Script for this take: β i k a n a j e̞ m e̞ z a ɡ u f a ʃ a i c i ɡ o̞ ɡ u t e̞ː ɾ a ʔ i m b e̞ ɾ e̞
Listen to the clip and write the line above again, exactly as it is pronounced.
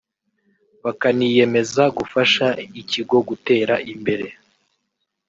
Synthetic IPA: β a k a n i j e̞ m e̞ z a ɡ u f a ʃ a i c i ɡ o̞ ɡ u t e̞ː ɾ a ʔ i m b e̞ ɾ e̞